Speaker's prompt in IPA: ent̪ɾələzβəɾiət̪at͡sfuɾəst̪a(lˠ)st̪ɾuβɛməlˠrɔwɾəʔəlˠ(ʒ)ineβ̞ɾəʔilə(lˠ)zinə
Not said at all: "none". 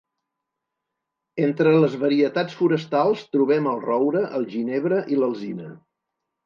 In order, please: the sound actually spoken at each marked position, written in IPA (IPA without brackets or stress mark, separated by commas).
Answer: lˠ, ʒ, lˠ